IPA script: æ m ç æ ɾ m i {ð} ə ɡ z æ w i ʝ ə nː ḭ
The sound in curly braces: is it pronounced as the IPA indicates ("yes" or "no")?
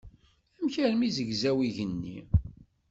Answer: no